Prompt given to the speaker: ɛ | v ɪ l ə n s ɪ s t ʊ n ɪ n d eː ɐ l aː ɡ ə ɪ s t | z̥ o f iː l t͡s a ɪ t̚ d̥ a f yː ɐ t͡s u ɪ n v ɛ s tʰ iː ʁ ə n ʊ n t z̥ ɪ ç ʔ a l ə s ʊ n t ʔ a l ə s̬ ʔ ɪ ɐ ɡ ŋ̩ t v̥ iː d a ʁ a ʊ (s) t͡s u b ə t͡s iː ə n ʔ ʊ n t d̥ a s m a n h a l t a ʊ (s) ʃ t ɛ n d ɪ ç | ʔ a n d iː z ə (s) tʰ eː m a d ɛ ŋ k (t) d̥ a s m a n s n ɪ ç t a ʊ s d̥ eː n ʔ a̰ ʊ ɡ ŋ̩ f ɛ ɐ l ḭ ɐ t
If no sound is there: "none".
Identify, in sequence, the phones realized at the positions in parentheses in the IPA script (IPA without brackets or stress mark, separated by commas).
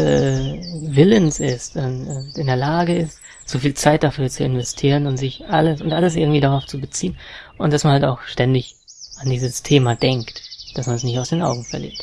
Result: f, x, s, t